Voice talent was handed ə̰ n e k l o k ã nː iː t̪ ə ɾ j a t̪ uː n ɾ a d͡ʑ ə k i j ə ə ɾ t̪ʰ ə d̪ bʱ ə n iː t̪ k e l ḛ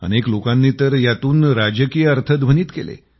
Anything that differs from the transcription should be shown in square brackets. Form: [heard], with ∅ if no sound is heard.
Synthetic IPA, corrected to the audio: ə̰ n e k l o k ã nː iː t̪ ə ɾ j a t̪ uː n ɾ a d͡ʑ ə k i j ə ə ɾ t̪ʰ ə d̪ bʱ ə n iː t̪ k e l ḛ